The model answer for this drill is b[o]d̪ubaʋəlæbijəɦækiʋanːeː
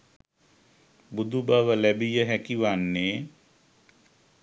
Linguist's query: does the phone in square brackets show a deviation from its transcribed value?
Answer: yes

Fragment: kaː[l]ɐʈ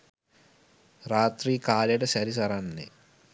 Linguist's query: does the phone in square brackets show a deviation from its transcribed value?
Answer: no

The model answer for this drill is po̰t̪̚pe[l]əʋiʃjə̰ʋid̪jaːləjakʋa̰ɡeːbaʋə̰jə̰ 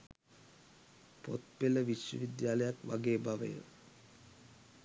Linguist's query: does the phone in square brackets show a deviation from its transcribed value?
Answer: no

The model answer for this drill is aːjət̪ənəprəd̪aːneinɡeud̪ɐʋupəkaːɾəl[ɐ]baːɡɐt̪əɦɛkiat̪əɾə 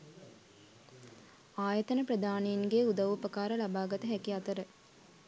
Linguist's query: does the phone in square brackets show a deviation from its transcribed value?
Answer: yes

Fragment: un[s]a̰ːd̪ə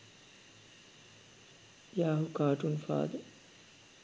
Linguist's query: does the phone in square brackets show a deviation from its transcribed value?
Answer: yes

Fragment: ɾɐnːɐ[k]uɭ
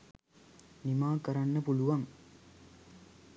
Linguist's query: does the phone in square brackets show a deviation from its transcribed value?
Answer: yes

